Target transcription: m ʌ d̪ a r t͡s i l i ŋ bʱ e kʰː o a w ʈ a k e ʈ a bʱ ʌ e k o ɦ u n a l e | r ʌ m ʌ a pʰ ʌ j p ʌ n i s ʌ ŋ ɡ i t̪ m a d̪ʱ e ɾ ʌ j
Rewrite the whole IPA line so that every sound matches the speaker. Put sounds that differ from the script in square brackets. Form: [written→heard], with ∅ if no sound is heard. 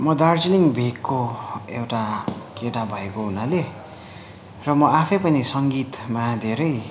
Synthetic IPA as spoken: m ʌ d̪ a r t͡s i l i ŋ bʱ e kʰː o [a→e] w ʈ a k e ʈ a bʱ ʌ e k o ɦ u n a l e | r ʌ m ʌ a pʰ ʌ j p ʌ n i s ʌ ŋ ɡ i t̪ m a d̪ʱ e ɾ ʌ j